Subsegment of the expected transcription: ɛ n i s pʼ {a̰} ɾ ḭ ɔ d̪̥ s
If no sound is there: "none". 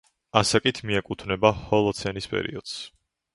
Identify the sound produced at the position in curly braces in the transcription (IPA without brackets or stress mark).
ɛ̰